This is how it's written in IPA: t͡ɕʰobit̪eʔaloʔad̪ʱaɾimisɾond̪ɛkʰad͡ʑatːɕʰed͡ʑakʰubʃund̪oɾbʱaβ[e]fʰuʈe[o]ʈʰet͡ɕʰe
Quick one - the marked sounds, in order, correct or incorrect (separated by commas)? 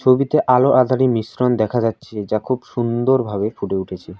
correct, incorrect